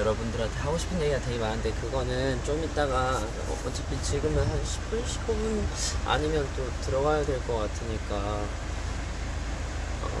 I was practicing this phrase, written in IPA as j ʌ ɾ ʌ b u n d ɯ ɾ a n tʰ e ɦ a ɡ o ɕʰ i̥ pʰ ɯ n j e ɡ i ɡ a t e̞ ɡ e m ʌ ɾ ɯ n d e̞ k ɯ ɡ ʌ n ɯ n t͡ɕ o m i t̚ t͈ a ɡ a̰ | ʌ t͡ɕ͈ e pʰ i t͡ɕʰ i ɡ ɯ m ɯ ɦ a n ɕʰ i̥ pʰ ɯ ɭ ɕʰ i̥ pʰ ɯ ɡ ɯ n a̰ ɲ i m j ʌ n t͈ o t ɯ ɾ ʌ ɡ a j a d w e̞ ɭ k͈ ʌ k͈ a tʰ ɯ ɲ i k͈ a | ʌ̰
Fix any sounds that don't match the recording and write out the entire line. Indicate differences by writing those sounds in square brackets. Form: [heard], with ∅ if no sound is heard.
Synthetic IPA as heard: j ʌ ɾ ʌ b u n d ɯ ɾ a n tʰ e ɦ a ɡ o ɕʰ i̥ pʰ ɯ n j e ɡ i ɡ a t e̞ ɡ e m [a] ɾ ɯ n d e̞ k ɯ ɡ ʌ n ɯ n t͡ɕ o m i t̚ t͈ a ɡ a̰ | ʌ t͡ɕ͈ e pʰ i [t͡ɕ] i ɡ ɯ m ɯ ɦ a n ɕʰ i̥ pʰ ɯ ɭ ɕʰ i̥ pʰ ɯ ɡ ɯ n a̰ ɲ i m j ʌ n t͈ o t ɯ ɾ ʌ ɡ a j a d w e̞ ɭ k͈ ʌ k͈ a tʰ ɯ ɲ i k͈ a | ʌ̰

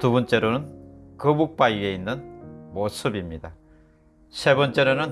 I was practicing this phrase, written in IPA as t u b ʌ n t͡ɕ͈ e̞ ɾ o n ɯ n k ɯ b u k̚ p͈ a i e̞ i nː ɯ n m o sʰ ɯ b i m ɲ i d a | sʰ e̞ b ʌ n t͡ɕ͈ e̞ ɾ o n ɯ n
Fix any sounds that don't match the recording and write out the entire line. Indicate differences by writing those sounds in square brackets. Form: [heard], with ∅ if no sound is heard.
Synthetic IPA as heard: t u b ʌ n t͡ɕ͈ e̞ ɾ o n ɯ n k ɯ b u k̚ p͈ a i e̞ i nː ɯ n m o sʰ ɯ b i m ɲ i d a | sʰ e̞ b ʌ n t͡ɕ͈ e̞ ɾ o n ɯ n

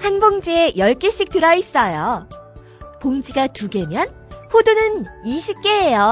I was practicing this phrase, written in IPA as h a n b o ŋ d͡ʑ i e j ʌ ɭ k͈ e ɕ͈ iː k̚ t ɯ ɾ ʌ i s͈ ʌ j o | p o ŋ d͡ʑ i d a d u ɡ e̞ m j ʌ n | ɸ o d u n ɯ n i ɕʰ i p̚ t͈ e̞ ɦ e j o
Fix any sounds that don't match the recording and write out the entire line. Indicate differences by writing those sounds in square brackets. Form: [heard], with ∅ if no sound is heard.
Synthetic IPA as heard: h a n b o ŋ d͡ʑ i e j ʌ ɭ k͈ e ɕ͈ [i] k̚ t ɯ ɾ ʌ i s͈ ʌ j o | p o ŋ d͡ʑ i [ɡ] a [t] u ɡ e̞ m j ʌ n | ɸ o d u n ɯ n i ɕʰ i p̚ [k͈] e̞ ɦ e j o

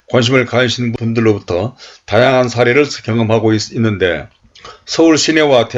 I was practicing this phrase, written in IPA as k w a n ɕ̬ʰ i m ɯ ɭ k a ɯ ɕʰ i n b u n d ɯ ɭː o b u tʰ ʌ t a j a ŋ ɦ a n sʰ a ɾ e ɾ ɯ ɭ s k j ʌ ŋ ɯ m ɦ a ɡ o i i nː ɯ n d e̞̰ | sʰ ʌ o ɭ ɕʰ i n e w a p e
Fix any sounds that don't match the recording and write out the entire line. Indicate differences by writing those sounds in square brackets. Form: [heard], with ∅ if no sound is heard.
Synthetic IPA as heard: k w a n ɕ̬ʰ i m ɯ ɭ k a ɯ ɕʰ i n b u n d ɯ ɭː o b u tʰ ʌ t a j a ŋ ɦ a n sʰ a ɾ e ɾ ɯ ɭ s k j ʌ ŋ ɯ m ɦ a ɡ o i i nː ɯ n d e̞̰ | sʰ ʌ [u] ɭ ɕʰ i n e w a [t] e

